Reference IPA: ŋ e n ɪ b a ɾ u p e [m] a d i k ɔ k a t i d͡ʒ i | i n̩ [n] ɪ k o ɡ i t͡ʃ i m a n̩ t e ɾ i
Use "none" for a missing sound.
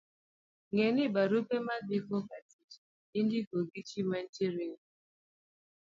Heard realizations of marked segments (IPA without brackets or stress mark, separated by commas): m, d